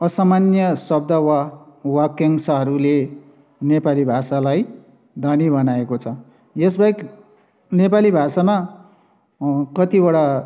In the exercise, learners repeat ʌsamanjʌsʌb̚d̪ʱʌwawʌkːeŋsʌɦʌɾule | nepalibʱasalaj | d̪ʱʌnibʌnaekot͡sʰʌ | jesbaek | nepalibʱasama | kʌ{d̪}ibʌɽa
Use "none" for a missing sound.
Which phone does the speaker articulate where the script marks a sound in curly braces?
t̪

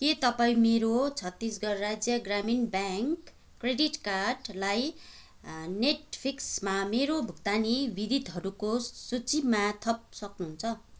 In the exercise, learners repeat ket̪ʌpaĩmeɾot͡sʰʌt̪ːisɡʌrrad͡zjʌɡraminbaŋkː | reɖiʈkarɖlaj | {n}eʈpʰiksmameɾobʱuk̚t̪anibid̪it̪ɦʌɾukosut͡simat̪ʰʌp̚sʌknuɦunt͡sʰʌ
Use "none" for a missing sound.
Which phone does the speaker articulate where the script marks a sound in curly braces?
n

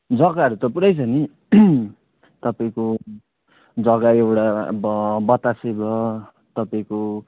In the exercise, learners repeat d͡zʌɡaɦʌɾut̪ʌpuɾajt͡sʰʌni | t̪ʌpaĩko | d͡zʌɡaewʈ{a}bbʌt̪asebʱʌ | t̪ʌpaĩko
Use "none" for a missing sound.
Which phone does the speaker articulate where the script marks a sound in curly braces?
a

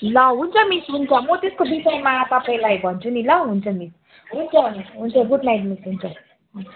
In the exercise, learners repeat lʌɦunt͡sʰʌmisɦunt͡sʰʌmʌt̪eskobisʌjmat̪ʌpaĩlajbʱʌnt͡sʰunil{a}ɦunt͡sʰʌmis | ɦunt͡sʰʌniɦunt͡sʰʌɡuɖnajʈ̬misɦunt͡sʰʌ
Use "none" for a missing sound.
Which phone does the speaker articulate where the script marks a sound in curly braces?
ʌ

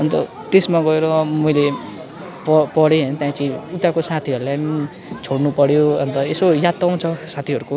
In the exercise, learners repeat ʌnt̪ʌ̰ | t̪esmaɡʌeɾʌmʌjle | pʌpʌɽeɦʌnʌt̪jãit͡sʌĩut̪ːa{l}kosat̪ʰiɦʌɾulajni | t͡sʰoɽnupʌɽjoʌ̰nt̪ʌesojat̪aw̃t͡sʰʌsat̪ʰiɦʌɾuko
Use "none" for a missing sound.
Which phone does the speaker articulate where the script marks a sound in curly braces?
none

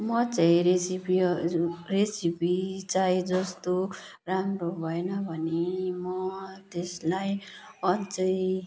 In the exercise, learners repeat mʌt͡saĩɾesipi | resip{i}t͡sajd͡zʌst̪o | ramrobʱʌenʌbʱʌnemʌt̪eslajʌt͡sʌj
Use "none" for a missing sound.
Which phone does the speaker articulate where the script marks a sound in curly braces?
i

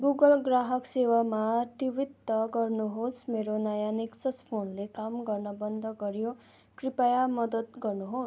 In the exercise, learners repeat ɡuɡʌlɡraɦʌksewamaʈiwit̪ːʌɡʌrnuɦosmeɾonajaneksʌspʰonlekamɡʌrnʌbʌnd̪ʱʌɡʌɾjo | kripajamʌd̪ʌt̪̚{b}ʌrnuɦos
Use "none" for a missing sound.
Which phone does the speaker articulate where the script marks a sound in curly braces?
ɡ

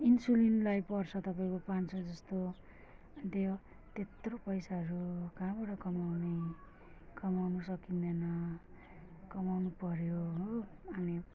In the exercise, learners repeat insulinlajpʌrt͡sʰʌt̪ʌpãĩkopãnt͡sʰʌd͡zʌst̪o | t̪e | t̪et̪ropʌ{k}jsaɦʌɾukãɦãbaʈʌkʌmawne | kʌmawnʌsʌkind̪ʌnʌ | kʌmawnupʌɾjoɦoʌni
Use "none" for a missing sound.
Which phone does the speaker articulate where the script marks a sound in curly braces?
none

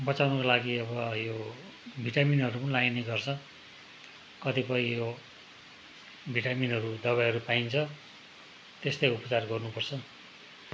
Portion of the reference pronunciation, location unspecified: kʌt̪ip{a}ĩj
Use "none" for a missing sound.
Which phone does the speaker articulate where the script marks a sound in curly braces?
ʌ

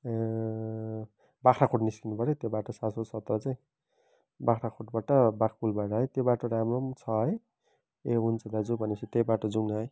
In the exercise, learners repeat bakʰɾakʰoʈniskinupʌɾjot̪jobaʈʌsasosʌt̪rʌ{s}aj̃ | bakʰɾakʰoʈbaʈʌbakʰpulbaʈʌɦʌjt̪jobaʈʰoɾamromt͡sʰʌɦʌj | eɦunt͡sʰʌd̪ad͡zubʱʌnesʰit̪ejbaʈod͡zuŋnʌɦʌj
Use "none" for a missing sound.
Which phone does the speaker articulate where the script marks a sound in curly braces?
t͡s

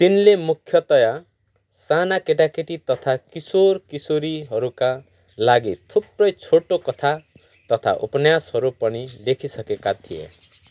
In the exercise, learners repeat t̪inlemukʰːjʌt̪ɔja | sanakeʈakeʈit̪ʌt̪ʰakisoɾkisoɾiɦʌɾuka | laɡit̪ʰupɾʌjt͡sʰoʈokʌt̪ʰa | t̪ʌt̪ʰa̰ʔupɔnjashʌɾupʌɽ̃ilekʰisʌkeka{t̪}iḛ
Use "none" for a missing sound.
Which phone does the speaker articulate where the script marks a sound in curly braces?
t̪ʰ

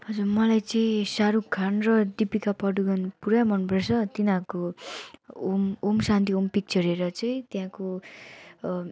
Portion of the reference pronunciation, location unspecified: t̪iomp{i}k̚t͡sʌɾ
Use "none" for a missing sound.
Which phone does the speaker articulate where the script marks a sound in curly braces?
i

